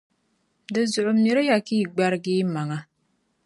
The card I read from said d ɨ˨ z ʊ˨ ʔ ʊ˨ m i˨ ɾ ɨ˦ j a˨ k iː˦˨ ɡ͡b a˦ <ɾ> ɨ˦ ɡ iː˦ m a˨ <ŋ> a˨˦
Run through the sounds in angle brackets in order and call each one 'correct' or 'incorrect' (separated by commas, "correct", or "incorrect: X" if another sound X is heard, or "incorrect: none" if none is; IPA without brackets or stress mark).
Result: correct, correct